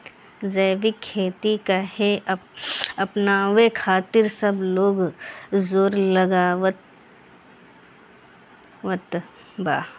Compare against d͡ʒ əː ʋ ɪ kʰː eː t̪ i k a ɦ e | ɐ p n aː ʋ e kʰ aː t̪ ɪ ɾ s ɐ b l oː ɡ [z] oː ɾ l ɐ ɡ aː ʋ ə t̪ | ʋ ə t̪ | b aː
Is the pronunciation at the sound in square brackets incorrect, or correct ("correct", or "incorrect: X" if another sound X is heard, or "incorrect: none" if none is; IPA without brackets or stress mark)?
correct